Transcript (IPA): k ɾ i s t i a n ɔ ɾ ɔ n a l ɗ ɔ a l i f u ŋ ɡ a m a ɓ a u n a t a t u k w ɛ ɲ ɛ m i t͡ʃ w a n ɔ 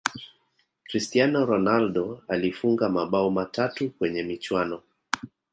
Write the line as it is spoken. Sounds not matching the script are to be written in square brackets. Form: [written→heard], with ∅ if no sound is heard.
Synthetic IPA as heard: k ɾ i s t i a n ɔ ɾ ɔ n a l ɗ ɔ a l i f u ŋ ɡ a m a ɓ a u [n→m] a t a t u k w ɛ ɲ ɛ m i t͡ʃ w a n ɔ